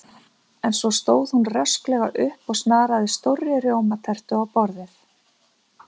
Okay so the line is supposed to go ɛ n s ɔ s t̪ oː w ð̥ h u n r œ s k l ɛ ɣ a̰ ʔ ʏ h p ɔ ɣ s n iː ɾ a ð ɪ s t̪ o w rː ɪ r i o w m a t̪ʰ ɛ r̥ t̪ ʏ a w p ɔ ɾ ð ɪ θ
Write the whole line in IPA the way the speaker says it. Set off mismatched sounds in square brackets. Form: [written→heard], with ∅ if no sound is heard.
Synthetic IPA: ɛ n s ɔ s t̪ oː w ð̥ h u n r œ s k l ɛ ɣ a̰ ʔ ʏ h p ɔ ɣ s n [iː→aː] ɾ a ð ɪ s t̪ o w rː ɪ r [i→j] o w m a t̪ʰ ɛ r̥ t̪ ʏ a w p ɔ ɾ ð ɪ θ